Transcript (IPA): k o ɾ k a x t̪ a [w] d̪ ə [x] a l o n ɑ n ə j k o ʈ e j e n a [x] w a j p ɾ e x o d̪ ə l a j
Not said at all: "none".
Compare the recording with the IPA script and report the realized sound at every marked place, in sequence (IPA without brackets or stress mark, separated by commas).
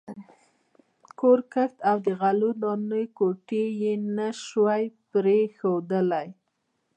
w, ɣ, ʃ